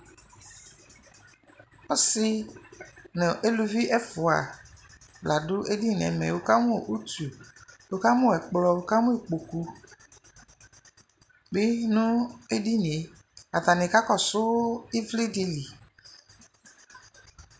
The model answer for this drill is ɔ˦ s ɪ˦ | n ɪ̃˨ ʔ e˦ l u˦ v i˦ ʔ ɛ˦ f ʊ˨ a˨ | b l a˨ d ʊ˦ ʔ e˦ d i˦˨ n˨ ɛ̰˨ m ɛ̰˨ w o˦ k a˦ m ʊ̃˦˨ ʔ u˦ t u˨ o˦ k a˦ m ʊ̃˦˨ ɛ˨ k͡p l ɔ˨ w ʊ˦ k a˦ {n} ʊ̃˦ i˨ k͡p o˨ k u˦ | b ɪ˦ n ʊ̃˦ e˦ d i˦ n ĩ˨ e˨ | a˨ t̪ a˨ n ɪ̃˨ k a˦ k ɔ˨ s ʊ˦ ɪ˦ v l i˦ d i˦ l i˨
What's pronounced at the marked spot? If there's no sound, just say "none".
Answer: m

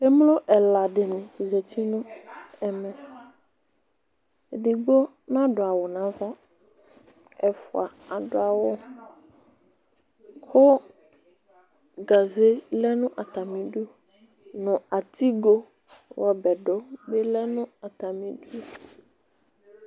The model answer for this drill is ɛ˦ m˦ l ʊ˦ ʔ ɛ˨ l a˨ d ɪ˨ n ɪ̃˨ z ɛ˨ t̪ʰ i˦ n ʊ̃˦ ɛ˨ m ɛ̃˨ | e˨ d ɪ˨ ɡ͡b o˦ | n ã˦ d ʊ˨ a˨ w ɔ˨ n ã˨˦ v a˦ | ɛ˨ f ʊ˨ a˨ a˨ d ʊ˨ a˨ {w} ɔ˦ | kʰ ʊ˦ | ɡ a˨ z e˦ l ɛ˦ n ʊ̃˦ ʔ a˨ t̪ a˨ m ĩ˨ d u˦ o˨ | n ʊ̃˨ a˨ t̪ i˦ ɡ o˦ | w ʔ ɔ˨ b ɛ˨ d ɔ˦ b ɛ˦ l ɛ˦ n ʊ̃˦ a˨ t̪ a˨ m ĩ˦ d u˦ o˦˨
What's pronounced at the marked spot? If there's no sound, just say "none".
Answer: w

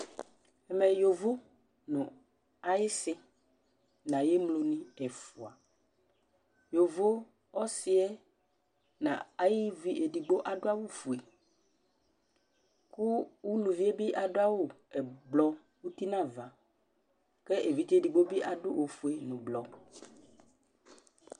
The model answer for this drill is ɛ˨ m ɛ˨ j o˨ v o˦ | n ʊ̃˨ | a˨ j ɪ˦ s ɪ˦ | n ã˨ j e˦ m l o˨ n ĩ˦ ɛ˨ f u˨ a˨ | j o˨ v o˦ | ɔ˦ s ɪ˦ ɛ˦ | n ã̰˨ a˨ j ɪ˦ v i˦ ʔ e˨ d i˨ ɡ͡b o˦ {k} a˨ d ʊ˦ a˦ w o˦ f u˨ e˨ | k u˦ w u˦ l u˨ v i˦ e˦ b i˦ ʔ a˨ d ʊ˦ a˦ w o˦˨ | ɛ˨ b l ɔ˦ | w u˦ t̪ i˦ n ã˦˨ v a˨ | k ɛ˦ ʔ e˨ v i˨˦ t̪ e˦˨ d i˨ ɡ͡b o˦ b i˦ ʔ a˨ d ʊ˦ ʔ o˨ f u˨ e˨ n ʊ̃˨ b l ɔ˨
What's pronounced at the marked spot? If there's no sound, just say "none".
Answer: ʔ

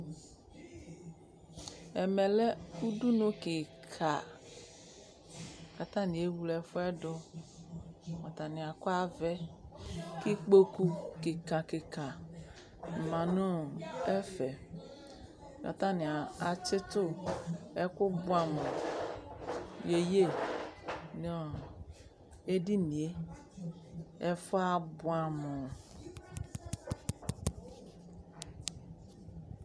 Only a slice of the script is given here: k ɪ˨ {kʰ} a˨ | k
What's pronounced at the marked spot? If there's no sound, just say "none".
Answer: kʰ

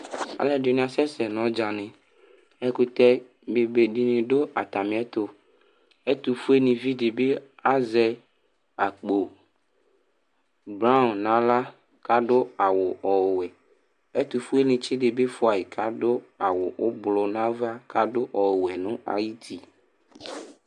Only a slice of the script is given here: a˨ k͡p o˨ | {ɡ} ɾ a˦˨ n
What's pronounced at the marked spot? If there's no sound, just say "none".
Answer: b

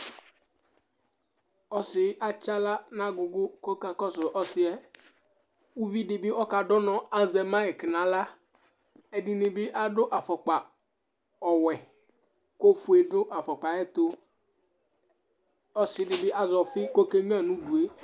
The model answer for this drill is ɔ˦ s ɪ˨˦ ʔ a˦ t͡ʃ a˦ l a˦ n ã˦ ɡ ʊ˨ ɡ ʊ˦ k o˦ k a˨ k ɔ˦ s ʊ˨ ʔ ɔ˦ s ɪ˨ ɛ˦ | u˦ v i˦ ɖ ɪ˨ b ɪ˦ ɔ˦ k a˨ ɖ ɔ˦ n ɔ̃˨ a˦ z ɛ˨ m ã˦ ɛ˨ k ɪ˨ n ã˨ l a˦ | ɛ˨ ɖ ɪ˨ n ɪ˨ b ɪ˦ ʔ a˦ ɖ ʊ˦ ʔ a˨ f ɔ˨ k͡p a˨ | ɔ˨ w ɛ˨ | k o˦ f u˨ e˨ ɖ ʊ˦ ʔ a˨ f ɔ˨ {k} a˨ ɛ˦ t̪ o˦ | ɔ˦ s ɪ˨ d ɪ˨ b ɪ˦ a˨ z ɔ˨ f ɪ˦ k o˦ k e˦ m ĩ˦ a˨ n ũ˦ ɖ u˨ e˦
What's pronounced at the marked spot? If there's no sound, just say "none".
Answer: k͡p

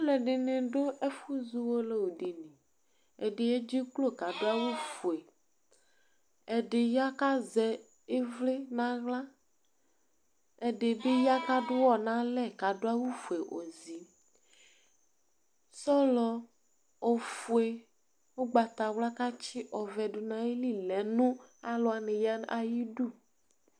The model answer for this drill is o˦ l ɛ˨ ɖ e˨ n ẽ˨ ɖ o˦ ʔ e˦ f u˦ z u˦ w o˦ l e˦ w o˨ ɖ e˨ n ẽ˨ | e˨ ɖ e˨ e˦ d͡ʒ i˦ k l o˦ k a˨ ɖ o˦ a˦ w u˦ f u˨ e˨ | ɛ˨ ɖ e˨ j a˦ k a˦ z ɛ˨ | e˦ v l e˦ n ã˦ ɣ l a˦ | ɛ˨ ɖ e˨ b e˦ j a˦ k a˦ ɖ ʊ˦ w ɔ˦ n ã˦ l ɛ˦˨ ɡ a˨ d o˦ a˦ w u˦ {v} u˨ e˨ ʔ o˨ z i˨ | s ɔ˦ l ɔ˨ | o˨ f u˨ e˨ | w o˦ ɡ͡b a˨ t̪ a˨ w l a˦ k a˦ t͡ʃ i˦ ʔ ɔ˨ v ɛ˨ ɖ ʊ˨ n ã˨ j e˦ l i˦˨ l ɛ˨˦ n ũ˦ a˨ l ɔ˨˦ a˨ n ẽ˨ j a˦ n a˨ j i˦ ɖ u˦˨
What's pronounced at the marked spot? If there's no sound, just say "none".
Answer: f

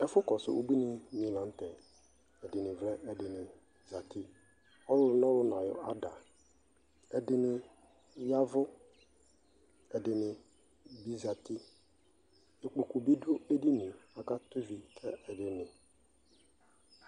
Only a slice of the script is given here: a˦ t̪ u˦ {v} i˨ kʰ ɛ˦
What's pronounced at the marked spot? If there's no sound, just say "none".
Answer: v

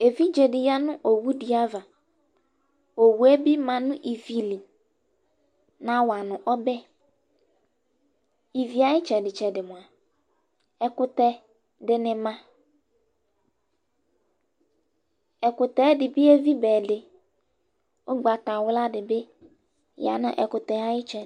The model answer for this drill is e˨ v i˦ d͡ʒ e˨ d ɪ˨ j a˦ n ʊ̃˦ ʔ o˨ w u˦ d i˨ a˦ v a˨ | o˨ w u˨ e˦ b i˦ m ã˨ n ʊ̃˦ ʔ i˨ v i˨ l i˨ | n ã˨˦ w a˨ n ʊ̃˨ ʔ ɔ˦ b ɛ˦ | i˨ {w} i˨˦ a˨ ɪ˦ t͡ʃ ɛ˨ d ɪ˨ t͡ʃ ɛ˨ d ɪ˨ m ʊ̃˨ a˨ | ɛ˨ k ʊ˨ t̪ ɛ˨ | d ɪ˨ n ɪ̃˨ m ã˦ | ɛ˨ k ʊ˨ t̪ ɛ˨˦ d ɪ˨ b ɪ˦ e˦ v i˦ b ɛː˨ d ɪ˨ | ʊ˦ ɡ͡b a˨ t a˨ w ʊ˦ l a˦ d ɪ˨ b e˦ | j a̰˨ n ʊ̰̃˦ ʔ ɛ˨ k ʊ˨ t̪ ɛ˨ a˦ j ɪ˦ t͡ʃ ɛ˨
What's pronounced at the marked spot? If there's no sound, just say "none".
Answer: v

